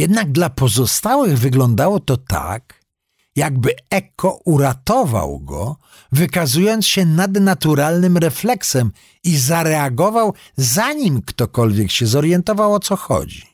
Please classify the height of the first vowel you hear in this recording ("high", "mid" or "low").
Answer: mid